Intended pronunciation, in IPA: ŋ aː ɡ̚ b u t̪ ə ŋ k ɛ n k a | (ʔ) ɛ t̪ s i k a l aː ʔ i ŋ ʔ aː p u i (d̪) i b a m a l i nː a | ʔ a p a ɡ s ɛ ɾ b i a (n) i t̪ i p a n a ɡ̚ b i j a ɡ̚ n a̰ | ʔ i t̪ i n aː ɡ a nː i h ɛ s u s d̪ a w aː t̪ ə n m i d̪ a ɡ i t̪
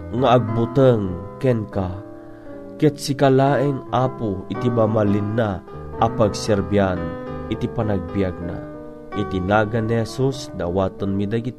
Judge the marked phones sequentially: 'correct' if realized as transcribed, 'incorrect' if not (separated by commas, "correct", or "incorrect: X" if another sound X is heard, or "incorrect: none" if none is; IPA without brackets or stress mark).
incorrect: k, incorrect: t̪, correct